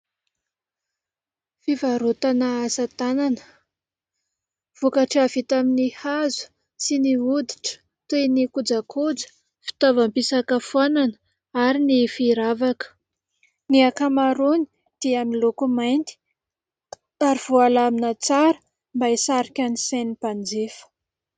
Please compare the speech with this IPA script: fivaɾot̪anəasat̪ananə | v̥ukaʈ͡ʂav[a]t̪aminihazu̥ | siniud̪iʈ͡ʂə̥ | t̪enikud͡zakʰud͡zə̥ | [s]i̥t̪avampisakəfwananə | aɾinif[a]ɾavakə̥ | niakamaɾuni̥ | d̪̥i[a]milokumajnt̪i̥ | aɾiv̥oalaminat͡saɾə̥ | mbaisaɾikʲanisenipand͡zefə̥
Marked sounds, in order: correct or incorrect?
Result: incorrect, incorrect, incorrect, correct

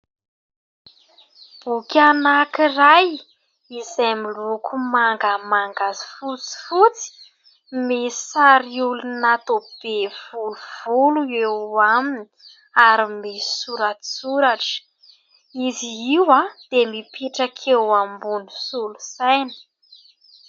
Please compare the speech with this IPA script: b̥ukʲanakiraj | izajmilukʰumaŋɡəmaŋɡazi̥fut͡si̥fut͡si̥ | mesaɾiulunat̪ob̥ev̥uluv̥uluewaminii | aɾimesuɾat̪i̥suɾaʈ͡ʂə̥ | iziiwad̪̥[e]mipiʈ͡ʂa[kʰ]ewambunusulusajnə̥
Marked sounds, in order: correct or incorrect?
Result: correct, correct

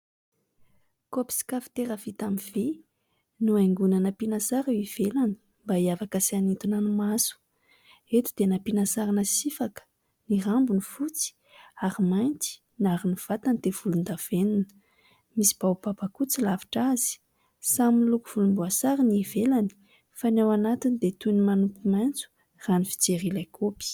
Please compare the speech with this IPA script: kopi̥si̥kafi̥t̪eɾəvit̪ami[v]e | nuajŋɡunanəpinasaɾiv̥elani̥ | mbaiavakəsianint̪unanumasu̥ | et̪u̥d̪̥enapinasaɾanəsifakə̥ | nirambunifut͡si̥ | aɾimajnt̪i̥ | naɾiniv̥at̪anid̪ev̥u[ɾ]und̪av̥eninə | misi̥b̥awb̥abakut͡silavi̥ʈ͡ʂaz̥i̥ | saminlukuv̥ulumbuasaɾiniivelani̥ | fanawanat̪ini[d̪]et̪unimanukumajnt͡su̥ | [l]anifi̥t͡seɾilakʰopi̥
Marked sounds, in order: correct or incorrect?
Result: correct, incorrect, correct, incorrect

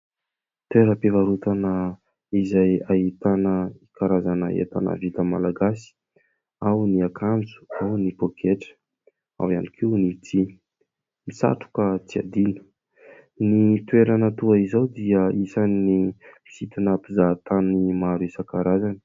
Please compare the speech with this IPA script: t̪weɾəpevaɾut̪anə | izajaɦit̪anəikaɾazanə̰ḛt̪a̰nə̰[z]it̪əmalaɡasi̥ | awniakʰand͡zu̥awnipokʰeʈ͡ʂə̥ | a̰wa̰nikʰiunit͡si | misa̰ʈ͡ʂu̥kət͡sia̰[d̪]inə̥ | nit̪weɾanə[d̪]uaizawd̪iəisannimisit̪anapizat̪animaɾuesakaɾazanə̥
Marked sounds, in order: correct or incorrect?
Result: incorrect, correct, incorrect

